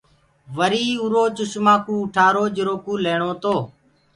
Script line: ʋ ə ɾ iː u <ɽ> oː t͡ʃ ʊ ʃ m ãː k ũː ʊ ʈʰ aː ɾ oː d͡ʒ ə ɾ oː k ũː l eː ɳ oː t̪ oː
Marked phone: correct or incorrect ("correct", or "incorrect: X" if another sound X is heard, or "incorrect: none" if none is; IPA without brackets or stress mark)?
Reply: incorrect: ɾ